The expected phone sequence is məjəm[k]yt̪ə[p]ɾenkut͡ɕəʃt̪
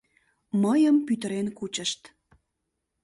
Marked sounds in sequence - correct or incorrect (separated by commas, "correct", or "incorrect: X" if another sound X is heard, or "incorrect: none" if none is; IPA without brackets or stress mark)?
incorrect: p, incorrect: none